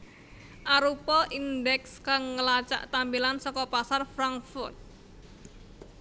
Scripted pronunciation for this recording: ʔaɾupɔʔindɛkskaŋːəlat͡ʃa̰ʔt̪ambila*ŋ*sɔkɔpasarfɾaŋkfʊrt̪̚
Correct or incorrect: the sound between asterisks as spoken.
incorrect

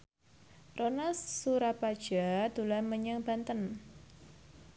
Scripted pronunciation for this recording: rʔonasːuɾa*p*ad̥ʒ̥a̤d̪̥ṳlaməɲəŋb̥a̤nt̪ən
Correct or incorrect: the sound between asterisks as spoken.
correct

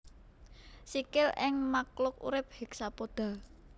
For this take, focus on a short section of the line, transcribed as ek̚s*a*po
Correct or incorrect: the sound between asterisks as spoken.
correct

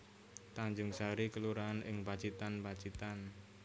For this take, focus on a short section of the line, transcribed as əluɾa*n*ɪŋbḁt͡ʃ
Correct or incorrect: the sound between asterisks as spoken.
correct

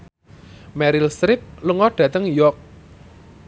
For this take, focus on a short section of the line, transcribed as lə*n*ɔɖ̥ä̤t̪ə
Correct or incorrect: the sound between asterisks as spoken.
incorrect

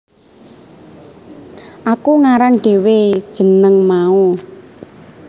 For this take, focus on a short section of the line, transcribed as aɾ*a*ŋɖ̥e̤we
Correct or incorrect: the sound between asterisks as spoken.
correct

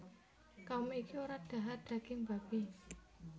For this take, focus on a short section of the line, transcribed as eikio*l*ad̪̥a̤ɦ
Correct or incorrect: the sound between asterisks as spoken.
incorrect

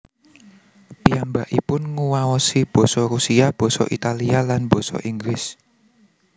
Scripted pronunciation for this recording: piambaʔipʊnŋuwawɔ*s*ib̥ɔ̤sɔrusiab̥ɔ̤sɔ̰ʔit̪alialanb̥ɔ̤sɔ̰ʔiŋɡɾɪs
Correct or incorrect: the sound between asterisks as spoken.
correct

